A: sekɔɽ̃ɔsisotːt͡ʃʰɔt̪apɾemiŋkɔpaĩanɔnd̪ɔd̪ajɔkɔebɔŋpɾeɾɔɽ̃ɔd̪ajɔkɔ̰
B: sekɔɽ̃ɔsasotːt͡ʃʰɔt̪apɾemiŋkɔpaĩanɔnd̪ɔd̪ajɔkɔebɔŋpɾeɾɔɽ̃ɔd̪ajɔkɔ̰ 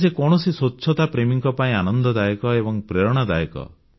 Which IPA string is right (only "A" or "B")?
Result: A